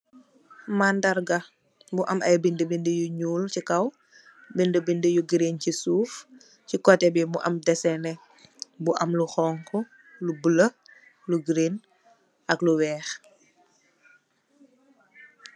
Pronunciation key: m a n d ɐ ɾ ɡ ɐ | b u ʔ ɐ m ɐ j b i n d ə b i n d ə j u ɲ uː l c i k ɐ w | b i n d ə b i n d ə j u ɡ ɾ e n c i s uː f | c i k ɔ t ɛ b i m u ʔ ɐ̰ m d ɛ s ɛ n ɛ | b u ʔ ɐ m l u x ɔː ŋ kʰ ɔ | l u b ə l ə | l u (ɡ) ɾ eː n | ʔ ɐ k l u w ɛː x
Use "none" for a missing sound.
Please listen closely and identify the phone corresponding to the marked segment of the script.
ɡ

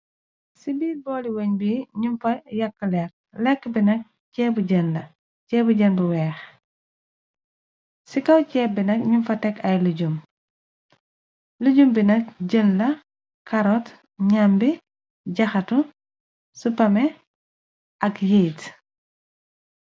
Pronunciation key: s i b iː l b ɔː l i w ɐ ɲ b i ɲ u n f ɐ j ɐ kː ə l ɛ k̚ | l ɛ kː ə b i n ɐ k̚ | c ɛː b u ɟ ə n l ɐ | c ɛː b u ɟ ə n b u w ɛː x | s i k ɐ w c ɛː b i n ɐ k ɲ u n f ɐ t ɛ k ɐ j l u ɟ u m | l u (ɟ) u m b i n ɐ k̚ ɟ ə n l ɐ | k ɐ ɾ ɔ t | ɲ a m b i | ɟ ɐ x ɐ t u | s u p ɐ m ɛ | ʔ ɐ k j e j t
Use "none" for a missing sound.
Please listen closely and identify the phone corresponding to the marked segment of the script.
ɟ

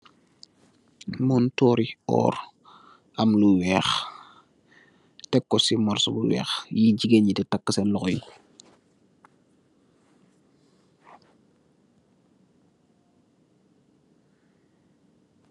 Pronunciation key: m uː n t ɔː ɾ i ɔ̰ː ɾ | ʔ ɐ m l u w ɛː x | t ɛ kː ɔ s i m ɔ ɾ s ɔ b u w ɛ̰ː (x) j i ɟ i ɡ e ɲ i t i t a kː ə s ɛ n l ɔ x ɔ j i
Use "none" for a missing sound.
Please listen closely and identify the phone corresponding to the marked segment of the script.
x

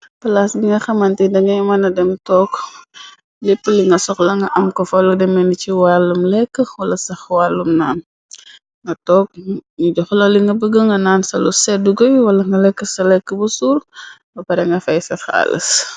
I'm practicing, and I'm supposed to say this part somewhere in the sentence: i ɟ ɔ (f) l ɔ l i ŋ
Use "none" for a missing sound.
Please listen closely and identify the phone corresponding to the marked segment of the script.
x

